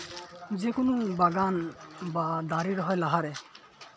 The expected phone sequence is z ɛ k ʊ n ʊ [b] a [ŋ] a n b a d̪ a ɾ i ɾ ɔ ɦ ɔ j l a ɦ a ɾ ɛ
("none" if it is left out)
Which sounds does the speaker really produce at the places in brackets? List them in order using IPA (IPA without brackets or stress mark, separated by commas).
b, ɡ